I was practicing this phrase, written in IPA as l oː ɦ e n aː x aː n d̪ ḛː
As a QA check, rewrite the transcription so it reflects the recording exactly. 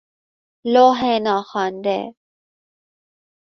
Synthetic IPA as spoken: l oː ɦ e n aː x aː n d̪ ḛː